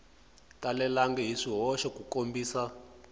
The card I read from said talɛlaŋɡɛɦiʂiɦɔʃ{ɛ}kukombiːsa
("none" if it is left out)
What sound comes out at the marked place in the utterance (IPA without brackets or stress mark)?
ɛ